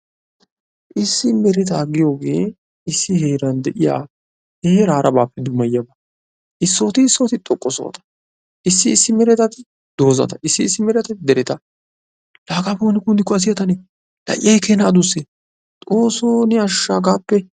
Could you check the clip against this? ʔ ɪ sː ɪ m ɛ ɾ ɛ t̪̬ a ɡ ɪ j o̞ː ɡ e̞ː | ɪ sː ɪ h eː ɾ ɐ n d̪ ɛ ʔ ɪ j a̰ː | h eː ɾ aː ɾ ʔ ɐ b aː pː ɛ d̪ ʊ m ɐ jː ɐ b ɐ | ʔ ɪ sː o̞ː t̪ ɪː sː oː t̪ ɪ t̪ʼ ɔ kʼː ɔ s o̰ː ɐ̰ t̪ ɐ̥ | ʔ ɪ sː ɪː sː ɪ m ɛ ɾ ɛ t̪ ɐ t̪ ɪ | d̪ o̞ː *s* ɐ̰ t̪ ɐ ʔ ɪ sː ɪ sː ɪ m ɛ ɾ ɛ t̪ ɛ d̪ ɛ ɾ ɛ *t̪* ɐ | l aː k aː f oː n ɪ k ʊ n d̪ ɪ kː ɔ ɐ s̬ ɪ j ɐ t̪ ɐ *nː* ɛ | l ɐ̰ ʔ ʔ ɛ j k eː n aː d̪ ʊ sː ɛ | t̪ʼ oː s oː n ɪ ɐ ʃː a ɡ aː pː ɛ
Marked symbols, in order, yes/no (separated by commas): no, yes, no